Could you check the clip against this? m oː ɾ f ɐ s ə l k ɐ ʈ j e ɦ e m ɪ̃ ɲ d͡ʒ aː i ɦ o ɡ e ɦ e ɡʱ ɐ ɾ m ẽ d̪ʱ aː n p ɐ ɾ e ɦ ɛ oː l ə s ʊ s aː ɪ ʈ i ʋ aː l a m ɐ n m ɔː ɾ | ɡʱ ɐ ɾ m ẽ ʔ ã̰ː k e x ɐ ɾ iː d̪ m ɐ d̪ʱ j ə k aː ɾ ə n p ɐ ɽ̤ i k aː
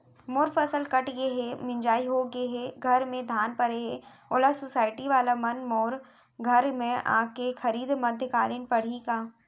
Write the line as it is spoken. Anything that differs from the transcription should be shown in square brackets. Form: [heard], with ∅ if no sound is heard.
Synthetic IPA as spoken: m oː ɾ f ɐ s ə l k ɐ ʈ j e ɦ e m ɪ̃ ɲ d͡ʒ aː i ɦ o ɡ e ɦ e ɡʱ ɐ ɾ m ẽ d̪ʱ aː n p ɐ ɾ e ɦ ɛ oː l [a] s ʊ s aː ɪ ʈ i ʋ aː l a m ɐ n m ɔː ɾ | ɡʱ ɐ ɾ m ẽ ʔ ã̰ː k e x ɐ ɾ iː d̪ m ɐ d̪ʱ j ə k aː ɾ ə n p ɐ ɽ̤ i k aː

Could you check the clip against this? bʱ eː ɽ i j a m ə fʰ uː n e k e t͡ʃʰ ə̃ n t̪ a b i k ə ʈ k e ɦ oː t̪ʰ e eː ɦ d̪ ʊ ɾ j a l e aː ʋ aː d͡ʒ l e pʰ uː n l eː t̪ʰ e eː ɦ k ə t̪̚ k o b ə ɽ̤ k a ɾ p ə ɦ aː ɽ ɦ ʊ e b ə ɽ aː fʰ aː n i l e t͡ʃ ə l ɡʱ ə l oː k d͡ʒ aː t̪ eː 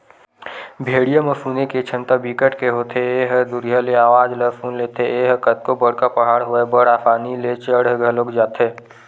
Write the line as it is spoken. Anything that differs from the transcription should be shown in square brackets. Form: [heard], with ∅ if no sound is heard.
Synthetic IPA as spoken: bʱ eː ɽ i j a m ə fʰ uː n e k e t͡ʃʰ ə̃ n t̪ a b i k ə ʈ k e ɦ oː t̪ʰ e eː ɦ d̪ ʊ ɾ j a l e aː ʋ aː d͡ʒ l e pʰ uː n l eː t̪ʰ e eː ɦ k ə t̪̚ k o b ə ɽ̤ k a [∅] p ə ɦ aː ɽ ɦ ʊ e b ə ɽ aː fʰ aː n i l e t͡ʃ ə [ɽ] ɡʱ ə l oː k d͡ʒ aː t̪ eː

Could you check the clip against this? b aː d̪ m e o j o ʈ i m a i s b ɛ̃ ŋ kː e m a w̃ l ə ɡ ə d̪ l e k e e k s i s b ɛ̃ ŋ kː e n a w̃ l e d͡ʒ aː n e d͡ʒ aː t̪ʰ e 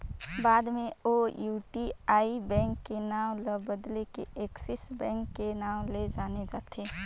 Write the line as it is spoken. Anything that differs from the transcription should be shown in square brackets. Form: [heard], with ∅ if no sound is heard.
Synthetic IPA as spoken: b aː d̪ m e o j [u] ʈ i [∅] a i [∅] b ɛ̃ ŋ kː e [n] a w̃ l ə [b] ə d̪ l e k e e k s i s b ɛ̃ ŋ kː e n a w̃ l e d͡ʒ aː n e d͡ʒ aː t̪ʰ e

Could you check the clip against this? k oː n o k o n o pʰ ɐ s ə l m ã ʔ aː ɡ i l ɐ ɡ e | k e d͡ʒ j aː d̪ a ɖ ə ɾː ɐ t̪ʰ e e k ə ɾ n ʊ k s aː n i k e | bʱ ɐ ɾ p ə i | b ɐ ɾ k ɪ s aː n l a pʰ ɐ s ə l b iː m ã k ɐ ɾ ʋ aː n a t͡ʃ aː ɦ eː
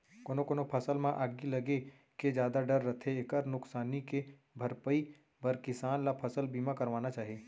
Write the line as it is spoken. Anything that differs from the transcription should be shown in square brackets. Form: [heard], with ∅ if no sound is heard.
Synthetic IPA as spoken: k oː n o k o n o pʰ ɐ s ə l m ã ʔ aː ɡ i l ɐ ɡ e | k e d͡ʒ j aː d̪ a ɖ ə ɾː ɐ t̪ʰ e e k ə ɾ n ʊ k s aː n i k e | bʱ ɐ ɾ p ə i | b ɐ ɾ k ɪ s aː n l a pʰ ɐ s ə l b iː m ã k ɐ ɾ ʋ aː n a t͡ʃ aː ɦ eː

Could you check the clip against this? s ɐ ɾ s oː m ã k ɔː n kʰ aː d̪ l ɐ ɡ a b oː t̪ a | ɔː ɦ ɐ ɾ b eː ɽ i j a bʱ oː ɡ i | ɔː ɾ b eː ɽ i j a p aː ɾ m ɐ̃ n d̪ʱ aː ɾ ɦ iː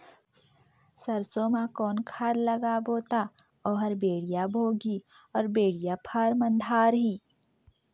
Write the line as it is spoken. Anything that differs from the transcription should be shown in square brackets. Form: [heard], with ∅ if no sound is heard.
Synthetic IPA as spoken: s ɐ ɾ s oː m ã k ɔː n kʰ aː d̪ l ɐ ɡ a b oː t̪ a | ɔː ɦ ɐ ɾ b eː ɽ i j a bʱ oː ɡ i | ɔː ɾ b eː ɽ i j a [pʰ] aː ɾ m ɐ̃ n d̪ʱ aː ɾ ɦ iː

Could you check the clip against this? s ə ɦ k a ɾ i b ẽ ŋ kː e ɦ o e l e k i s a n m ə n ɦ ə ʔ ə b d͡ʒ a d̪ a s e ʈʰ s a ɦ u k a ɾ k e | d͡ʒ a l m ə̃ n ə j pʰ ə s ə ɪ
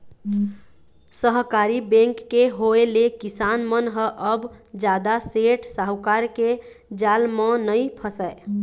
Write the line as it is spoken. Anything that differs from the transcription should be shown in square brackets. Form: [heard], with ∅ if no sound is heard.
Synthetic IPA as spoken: s ə ɦ k a ɾ i b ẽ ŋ kː e ɦ o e l e k i s a n m ə n ɦ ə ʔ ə b d͡ʒ a d̪ a s e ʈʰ s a ɦ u k a ɾ k e | d͡ʒ a l m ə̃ n ə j pʰ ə s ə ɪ

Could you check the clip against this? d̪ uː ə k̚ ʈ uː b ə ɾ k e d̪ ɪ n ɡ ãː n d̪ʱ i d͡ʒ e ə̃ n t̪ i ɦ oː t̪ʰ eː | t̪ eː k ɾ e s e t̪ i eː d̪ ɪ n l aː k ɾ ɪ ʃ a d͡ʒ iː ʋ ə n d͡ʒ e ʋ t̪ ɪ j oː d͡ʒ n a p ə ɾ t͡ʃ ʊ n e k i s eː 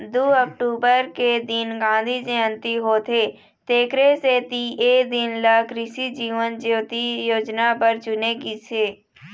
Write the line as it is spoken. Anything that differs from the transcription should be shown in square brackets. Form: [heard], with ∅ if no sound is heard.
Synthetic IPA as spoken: d̪ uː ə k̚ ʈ uː b ə ɾ k e d̪ ɪ n ɡ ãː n d̪ʱ i d͡ʒ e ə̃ n t̪ i ɦ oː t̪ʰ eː | t̪ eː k ɾ e s e t̪ i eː d̪ ɪ n l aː k ɾ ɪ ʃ [i] d͡ʒ iː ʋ ə n d͡ʒ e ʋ t̪ [i] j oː d͡ʒ n a p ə ɾ t͡ʃ ʊ n e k i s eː

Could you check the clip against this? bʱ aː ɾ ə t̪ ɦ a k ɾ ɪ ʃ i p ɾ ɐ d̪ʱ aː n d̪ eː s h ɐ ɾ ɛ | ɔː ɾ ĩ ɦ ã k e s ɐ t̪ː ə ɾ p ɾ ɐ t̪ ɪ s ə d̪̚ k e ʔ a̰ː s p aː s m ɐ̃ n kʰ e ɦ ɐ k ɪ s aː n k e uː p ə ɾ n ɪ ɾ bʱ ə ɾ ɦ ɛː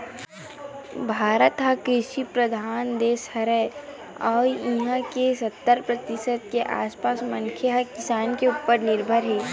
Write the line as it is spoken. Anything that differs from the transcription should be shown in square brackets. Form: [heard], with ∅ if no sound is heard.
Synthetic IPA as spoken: bʱ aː ɾ ə t̪ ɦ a k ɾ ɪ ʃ i p ɾ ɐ d̪ʱ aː n d̪ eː s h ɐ ɾ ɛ | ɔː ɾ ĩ ɦ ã k e s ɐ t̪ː ə ɾ p ɾ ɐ t̪ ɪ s ə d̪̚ k e ʔ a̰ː s p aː s m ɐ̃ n kʰ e ɦ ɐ k ɪ s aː n k e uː p ə ɾ n ɪ ɾ bʱ ə ɾ ɦ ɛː

